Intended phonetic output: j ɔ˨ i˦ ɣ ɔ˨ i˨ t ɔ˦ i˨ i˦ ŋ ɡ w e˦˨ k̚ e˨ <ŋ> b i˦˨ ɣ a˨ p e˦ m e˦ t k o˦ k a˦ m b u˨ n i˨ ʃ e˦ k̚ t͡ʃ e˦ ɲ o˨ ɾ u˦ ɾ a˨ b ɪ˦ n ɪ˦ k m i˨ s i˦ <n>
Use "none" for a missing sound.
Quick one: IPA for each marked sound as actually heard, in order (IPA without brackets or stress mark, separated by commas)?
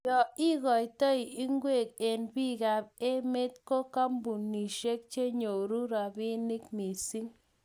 n, ŋ